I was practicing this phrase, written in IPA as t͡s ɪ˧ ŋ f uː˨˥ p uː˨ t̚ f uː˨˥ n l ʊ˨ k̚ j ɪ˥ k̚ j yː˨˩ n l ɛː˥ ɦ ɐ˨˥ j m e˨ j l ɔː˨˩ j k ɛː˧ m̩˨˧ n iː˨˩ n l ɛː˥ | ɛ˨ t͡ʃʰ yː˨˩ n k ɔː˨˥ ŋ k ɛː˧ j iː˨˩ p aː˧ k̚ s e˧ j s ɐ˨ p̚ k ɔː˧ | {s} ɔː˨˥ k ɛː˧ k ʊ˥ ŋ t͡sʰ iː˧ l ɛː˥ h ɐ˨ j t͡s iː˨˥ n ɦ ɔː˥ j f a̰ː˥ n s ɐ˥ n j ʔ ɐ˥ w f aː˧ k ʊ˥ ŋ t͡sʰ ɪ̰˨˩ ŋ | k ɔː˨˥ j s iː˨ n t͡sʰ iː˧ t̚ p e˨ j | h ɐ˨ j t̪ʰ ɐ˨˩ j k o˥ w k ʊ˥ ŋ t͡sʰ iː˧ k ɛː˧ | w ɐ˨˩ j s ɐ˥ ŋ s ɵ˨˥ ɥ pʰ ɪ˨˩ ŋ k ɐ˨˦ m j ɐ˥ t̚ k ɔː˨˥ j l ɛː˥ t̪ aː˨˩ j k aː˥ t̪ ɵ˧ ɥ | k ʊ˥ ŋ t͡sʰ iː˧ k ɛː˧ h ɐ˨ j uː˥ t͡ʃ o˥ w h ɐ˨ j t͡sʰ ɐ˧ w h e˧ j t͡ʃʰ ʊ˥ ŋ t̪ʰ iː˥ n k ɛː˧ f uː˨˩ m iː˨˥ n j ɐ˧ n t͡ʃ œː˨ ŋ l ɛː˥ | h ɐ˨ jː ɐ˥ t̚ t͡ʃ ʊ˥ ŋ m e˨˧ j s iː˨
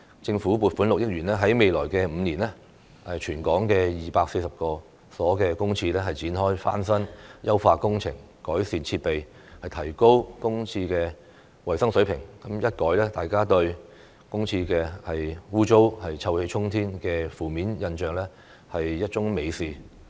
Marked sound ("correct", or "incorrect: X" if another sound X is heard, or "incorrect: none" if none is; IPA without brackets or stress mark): correct